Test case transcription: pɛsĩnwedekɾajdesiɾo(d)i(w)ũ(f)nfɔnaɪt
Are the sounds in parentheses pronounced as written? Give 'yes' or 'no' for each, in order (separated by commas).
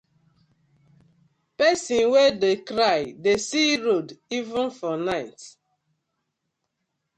yes, no, no